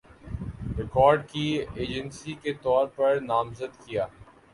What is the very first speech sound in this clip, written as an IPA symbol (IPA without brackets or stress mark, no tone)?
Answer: ɾ